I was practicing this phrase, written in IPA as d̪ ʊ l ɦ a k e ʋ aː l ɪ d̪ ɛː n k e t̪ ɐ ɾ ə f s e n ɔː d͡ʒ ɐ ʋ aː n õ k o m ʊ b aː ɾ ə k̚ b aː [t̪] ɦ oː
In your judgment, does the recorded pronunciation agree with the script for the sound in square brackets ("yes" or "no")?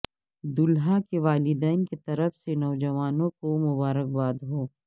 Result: no